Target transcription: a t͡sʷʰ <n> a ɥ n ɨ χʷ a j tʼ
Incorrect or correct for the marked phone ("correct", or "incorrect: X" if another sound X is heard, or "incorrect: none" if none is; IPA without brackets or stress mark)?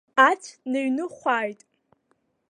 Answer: correct